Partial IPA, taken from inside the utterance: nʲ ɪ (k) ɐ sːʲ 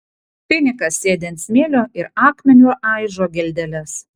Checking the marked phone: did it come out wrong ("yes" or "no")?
no